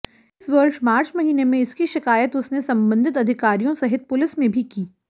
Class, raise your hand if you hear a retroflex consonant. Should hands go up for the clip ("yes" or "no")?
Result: no